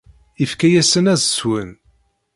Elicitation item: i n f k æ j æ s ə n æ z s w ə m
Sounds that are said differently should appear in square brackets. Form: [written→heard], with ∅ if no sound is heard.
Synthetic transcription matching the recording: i [n→∅] f k æ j æ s ə n æ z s w ə [m→n]